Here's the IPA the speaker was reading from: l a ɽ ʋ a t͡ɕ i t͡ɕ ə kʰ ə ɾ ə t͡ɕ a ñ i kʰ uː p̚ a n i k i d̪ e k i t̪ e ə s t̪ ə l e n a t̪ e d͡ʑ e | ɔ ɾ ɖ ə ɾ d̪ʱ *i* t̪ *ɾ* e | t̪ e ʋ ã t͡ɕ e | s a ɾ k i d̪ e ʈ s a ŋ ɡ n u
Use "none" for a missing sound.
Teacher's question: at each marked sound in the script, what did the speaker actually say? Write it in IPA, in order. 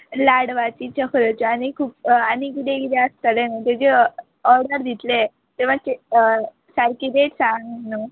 i, l

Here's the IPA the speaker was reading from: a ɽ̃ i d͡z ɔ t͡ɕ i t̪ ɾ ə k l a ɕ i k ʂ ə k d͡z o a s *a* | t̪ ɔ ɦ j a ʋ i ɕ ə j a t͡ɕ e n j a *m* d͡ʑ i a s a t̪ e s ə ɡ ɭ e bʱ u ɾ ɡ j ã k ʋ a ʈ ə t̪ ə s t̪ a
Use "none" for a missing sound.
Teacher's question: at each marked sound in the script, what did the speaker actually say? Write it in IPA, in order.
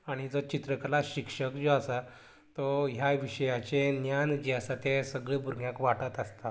a, n

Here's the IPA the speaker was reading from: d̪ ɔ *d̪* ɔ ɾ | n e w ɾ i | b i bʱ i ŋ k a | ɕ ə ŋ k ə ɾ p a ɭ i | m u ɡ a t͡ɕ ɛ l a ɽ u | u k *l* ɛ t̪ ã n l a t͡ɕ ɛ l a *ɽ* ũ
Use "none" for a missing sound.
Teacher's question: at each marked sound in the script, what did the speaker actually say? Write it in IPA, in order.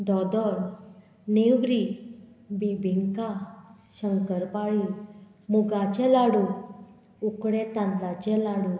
d̪, ɽ, ɽ

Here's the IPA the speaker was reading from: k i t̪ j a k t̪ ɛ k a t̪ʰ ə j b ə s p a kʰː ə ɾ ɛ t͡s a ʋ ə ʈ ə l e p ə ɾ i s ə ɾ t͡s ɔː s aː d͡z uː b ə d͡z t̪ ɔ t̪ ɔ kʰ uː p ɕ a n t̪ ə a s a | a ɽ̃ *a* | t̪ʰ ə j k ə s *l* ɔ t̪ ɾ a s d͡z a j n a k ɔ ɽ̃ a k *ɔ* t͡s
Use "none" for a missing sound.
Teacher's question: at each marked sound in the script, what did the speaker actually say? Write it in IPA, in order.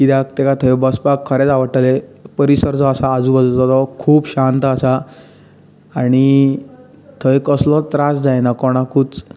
i, l, u

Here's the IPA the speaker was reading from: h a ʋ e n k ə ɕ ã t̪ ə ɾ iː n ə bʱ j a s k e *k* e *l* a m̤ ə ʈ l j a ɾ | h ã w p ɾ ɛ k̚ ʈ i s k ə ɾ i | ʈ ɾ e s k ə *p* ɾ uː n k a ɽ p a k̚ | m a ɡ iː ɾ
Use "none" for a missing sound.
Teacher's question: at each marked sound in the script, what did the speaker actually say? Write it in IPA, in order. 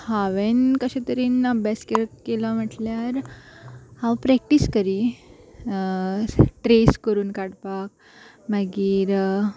k, l, none

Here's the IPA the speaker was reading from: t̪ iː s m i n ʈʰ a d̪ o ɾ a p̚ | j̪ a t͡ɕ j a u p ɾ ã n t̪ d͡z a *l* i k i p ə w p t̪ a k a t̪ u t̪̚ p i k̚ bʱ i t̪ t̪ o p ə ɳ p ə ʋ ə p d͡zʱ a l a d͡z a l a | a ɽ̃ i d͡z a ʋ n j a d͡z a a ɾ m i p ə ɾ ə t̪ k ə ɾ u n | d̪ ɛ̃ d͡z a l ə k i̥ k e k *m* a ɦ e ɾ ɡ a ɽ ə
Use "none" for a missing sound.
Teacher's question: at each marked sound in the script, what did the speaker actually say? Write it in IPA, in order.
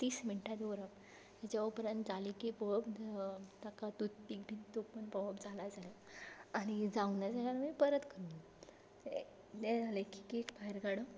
l, b

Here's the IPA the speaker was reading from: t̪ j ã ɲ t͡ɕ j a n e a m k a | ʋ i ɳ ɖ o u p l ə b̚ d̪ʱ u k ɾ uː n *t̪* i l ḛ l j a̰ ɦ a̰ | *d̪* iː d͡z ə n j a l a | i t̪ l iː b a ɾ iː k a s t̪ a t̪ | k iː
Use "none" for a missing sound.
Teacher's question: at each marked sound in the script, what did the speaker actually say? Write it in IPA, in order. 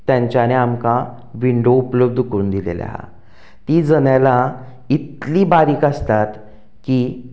d̪, t̪

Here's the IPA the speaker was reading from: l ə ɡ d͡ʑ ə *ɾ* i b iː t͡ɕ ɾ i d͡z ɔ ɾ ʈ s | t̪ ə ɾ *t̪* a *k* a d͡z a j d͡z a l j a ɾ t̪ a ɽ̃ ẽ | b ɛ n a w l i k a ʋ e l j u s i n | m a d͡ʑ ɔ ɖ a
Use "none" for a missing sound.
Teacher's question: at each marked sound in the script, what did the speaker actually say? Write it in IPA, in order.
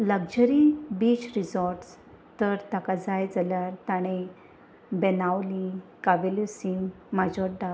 ɾ, t̪, k

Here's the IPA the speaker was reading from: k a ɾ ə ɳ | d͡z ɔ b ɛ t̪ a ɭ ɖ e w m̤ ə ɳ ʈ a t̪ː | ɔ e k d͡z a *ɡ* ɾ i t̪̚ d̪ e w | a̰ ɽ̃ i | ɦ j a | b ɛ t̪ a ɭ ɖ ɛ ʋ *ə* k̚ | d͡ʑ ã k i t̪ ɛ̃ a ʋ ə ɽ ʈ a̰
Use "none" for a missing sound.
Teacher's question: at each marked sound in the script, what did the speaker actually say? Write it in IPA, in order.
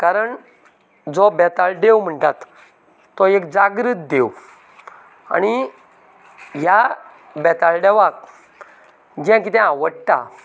ɡ, a

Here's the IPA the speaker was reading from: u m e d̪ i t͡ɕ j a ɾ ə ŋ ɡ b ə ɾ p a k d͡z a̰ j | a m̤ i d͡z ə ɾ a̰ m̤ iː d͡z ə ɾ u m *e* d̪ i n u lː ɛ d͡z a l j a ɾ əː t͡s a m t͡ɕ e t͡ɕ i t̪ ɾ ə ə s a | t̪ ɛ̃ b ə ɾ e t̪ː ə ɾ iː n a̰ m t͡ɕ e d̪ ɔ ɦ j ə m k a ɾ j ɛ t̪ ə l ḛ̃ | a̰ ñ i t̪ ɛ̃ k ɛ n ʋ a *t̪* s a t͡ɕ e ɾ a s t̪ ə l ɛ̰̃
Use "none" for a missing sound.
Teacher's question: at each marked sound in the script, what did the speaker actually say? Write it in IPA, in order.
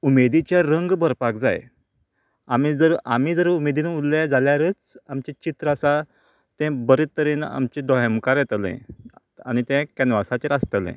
e, none

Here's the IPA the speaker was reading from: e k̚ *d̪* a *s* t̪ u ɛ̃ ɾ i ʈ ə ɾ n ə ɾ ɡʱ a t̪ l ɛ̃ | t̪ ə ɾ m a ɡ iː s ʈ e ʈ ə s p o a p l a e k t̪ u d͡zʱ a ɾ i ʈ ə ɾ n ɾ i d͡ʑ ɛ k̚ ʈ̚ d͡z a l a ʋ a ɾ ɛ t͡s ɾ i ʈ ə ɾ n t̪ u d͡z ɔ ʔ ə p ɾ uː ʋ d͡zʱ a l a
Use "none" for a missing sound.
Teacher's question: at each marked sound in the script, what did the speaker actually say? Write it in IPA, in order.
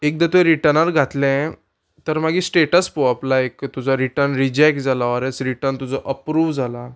d̪, none

